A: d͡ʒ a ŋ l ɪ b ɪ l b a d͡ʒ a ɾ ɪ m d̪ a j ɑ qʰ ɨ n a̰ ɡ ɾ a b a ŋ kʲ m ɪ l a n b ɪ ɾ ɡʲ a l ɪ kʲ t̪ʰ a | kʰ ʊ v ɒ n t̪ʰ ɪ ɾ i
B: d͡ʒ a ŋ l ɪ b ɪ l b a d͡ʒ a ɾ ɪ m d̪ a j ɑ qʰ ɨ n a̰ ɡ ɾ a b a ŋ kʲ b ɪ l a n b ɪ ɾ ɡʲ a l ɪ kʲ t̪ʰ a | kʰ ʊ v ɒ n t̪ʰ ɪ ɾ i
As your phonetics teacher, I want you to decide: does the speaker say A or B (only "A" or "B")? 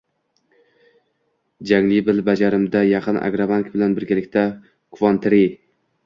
B